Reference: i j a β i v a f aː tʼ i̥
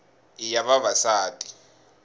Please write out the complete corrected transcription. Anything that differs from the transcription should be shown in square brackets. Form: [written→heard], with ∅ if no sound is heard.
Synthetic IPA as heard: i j a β [i→a] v a [f→s] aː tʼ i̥